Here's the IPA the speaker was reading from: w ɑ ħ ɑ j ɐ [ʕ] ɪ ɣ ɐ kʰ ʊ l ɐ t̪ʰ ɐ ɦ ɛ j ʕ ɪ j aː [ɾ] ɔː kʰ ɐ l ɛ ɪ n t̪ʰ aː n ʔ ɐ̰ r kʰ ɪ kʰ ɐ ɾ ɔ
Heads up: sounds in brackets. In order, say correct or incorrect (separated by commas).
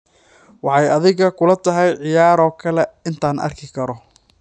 incorrect, correct